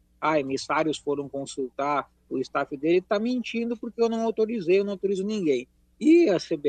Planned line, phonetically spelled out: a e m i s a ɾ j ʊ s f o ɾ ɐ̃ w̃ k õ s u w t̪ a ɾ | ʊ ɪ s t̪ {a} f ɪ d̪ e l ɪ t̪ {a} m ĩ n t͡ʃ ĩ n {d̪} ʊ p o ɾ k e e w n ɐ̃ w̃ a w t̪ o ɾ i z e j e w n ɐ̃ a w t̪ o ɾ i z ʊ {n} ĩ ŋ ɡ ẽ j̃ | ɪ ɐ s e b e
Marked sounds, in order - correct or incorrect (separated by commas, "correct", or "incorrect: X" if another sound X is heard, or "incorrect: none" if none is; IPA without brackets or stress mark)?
correct, correct, correct, correct